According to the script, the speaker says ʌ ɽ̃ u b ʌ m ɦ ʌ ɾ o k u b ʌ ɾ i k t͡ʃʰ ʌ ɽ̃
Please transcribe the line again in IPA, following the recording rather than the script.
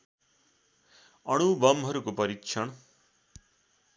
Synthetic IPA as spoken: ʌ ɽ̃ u b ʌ m ɦ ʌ ɾ u k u p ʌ ɾ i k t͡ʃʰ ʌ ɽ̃